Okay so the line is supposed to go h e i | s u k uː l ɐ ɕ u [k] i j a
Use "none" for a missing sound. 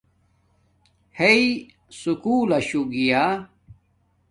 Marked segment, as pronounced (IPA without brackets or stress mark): ɡ